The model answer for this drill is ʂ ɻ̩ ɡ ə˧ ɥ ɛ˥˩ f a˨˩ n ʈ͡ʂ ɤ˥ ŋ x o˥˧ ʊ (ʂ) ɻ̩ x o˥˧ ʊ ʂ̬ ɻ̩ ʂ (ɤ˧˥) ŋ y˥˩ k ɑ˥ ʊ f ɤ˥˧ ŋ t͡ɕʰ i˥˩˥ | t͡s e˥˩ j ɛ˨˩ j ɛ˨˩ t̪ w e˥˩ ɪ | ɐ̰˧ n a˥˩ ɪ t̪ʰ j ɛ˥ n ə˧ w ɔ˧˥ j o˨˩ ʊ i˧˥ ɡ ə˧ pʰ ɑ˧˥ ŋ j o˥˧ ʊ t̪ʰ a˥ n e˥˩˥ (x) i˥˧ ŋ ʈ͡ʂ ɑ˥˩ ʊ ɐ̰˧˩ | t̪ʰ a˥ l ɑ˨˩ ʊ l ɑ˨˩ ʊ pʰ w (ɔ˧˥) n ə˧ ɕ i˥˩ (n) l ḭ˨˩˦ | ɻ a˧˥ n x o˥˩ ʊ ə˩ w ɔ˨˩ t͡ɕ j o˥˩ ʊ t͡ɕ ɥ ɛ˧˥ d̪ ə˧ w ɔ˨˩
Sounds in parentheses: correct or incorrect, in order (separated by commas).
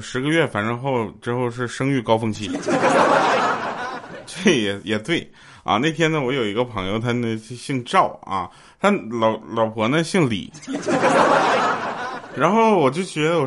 incorrect, incorrect, incorrect, correct, incorrect